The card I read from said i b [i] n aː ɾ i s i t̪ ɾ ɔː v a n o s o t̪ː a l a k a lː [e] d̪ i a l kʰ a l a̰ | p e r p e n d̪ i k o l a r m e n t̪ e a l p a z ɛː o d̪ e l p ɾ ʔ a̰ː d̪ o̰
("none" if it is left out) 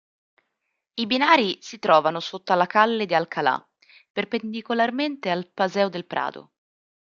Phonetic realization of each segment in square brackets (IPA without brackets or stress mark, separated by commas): i, e